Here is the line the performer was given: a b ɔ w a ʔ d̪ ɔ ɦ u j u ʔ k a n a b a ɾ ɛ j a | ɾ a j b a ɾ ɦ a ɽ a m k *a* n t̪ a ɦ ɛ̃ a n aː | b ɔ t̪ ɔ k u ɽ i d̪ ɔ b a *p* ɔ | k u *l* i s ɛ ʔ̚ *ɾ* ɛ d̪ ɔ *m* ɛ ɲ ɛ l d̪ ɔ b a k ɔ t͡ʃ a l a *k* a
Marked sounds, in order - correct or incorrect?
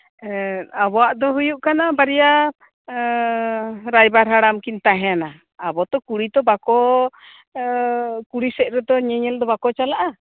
incorrect: i, incorrect: k, incorrect: ɽ, correct, incorrect: ɲ, incorrect: ʔ

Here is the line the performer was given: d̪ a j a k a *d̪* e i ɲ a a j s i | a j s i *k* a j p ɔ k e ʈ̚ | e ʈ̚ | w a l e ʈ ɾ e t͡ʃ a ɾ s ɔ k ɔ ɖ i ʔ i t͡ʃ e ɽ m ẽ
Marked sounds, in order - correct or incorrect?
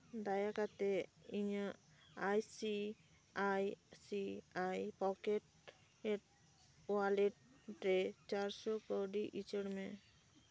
incorrect: t̪, incorrect: none

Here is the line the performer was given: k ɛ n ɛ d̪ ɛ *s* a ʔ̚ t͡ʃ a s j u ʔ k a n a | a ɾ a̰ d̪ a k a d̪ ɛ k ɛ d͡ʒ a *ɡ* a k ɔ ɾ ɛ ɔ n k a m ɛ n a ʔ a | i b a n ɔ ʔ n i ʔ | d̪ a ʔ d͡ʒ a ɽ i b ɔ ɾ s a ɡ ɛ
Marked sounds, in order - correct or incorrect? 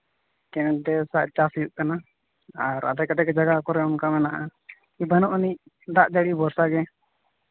correct, correct

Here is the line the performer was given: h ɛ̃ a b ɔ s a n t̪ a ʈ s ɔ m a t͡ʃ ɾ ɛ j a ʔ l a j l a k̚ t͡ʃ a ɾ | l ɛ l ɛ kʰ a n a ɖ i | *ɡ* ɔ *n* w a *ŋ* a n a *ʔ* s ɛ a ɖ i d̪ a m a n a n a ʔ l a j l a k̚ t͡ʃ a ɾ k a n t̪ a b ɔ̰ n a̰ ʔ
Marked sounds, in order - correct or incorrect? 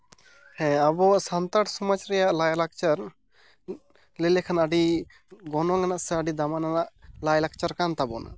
correct, correct, correct, correct

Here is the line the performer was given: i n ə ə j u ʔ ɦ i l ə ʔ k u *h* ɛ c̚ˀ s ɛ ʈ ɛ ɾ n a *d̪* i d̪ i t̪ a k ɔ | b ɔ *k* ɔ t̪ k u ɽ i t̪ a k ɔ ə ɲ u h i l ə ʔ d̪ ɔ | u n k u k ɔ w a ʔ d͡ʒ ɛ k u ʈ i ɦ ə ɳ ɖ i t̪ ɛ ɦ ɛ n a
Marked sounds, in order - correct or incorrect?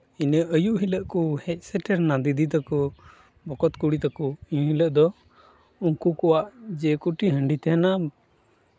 correct, correct, correct

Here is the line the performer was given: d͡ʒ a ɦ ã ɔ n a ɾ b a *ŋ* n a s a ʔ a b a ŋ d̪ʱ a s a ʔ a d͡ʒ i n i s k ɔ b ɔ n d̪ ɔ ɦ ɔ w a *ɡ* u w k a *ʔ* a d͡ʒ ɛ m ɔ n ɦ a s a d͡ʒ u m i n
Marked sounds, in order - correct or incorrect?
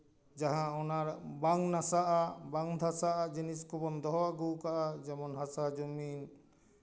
correct, correct, correct

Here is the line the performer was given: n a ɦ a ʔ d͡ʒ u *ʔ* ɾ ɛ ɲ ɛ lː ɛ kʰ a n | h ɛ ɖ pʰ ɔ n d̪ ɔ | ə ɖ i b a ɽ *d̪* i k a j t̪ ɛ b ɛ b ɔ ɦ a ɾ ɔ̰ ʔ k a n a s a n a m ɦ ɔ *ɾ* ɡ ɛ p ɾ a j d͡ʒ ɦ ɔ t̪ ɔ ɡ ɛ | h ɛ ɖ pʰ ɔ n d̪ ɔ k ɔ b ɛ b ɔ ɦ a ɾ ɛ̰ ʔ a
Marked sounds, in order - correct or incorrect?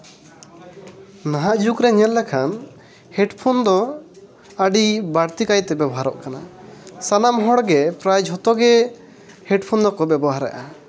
incorrect: k, incorrect: t̪, incorrect: ɽ

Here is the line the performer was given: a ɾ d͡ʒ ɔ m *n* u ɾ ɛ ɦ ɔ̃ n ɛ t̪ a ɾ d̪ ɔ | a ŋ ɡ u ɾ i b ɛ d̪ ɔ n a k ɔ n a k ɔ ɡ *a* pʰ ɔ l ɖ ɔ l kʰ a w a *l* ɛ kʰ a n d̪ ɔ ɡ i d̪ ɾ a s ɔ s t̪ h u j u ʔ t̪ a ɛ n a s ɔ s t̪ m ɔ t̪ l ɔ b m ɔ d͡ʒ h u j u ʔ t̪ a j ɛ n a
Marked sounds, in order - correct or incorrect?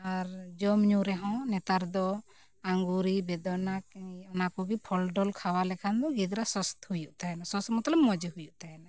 incorrect: ɲ, incorrect: i, correct

